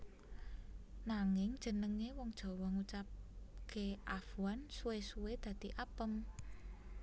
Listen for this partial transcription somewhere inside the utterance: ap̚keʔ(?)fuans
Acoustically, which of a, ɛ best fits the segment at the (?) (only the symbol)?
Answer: a